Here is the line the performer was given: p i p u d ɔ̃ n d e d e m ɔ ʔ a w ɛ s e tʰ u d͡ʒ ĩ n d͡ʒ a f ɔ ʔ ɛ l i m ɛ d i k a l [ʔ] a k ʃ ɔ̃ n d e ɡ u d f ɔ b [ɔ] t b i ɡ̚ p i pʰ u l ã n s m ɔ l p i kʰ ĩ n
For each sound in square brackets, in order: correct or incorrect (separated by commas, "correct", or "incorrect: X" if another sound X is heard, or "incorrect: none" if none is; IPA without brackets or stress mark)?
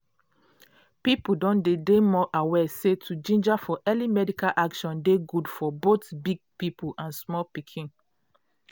correct, incorrect: o